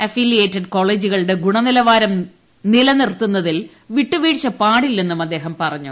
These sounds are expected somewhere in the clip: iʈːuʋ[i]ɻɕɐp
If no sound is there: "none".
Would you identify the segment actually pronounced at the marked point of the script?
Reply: iː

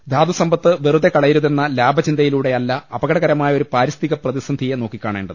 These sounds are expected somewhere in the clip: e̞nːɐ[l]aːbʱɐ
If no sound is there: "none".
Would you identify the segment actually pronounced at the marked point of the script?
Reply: l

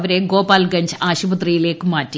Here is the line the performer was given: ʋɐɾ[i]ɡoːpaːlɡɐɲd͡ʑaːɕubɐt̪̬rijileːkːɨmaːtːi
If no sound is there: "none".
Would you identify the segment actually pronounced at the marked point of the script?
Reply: e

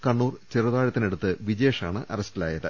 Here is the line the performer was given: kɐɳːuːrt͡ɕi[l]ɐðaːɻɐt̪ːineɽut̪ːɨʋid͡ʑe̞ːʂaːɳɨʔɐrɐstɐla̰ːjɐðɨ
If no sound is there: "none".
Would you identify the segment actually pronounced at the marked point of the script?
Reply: r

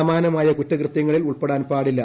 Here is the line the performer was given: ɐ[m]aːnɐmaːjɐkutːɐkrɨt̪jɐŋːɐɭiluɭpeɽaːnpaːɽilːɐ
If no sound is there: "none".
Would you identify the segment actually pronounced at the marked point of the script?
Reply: m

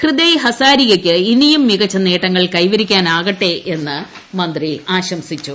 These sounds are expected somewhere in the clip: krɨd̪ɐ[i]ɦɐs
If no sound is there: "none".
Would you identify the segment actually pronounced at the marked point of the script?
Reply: j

